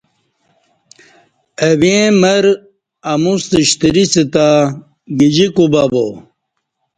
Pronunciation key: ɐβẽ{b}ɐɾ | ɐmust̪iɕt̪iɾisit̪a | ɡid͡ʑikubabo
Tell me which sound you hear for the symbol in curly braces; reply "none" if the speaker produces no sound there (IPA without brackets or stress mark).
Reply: m